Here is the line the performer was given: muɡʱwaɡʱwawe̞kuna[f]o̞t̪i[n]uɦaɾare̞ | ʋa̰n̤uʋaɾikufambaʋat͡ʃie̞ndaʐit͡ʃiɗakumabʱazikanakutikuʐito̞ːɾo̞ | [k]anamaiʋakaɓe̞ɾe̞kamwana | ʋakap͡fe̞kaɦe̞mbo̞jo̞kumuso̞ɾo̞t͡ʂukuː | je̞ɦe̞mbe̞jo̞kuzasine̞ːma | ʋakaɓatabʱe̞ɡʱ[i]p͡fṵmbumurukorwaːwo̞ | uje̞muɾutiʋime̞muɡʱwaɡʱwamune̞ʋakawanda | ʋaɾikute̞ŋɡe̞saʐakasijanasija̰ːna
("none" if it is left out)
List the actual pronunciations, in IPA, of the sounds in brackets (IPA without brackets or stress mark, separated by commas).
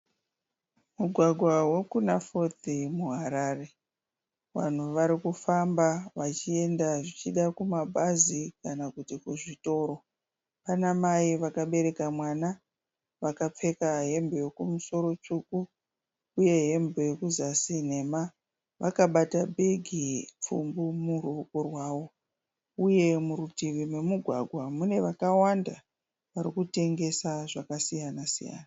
f, m, p, i